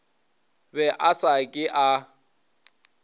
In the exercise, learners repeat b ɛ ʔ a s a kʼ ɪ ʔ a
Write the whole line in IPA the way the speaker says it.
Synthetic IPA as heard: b ɛ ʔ a s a kʼ ɪ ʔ a